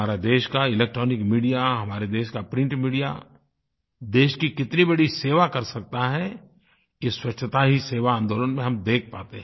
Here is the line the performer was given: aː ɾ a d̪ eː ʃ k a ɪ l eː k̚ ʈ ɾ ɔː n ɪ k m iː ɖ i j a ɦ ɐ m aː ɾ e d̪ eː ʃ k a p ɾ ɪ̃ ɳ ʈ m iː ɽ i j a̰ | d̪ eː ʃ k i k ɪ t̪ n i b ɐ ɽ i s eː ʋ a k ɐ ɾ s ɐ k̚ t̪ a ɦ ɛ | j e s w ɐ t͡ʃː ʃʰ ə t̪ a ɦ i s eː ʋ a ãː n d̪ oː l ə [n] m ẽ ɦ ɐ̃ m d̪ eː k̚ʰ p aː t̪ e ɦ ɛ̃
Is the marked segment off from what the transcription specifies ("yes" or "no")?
no